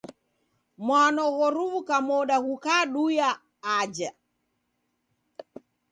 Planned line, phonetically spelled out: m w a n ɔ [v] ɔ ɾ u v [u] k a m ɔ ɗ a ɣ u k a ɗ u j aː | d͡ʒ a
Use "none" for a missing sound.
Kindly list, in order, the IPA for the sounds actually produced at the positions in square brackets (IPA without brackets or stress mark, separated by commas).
ɣ, u